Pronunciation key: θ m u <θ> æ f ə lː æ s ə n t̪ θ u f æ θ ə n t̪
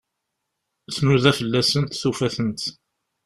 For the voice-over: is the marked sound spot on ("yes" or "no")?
no